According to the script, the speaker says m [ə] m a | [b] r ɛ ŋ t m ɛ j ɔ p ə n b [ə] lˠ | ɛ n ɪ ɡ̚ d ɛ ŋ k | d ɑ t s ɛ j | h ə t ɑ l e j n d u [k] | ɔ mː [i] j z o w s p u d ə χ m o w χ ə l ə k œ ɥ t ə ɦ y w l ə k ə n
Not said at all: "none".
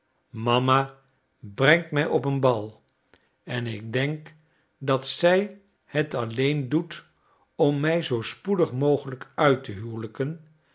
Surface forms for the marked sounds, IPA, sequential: ɑ, b, ɑ, t, ɛ

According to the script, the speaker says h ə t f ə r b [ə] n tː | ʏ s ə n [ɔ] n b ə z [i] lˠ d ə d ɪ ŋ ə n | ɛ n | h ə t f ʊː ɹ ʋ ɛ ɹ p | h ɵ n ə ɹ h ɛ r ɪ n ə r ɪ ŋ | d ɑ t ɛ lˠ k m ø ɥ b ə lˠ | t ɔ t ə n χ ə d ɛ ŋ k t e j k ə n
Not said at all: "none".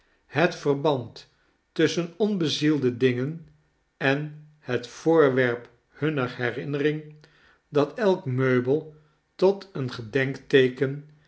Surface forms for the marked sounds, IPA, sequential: ɑ, ɔ, i

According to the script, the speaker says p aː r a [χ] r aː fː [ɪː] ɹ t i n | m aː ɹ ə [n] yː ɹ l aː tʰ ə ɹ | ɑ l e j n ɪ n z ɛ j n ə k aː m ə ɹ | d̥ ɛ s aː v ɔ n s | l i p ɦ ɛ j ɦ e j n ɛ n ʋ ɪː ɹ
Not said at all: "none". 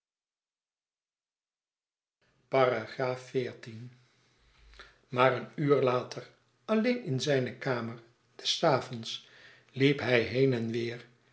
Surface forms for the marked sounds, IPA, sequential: χ, ɪː, n

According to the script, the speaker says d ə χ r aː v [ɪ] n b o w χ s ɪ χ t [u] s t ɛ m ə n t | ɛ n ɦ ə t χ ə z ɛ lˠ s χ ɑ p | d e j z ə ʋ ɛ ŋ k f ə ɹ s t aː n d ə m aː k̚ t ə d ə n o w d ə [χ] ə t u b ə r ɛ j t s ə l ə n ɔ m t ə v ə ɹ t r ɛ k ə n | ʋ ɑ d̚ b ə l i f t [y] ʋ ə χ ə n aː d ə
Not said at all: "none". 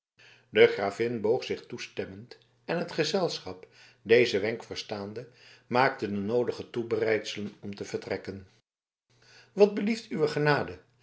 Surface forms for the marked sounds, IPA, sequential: ɪ, u, χ, y

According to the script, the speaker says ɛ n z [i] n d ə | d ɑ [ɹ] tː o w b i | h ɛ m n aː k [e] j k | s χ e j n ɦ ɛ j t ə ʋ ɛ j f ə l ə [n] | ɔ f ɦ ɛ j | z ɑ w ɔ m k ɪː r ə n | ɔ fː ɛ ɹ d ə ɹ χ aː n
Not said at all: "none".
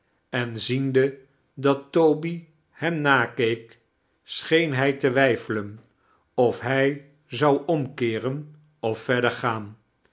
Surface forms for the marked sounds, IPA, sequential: i, none, e, n

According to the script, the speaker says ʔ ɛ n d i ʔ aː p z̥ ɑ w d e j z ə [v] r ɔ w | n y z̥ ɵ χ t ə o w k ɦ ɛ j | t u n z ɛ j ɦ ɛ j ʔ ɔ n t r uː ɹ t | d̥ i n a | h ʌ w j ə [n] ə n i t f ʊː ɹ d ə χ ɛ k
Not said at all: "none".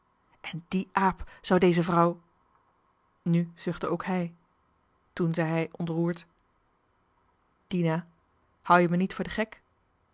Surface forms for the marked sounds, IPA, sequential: v, m

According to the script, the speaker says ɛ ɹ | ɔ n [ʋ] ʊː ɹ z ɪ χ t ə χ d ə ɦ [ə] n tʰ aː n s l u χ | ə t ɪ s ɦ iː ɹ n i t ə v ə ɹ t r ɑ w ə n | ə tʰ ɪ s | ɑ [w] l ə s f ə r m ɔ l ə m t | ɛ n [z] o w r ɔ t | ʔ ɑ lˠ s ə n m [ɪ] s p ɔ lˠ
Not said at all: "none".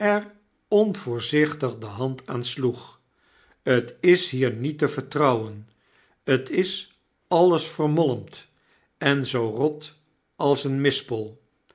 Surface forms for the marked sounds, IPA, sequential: v, ɑ, none, z, ɪ

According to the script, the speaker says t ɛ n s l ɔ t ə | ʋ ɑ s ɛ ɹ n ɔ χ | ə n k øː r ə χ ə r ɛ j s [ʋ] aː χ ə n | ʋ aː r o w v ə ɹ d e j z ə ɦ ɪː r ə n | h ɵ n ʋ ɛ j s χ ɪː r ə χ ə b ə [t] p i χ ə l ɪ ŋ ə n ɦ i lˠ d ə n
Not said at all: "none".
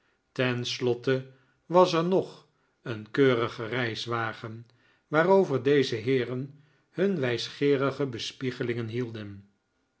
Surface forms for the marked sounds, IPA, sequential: ʋ, s

